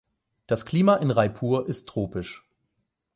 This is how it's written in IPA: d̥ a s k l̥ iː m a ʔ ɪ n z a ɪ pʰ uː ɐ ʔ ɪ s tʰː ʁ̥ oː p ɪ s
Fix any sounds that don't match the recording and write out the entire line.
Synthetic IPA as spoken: d̥ a s k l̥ iː m a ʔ ɪ n ʁ a ɪ pʰ uː ɐ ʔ ɪ s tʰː ʁ̥ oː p ɪ ʃ